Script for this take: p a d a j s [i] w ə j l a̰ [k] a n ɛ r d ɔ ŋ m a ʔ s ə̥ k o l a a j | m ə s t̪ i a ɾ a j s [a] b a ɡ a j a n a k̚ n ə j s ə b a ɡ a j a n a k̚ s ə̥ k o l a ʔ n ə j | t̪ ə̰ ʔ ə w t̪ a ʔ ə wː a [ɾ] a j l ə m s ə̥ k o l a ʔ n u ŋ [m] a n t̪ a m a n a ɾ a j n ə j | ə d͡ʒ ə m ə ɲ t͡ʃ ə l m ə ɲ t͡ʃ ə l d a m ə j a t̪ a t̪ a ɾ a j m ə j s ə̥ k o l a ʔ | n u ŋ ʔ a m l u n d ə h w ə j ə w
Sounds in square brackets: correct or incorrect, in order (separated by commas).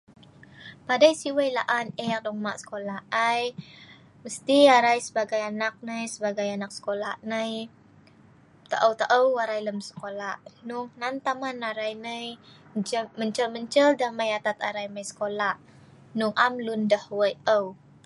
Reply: correct, incorrect, incorrect, correct, incorrect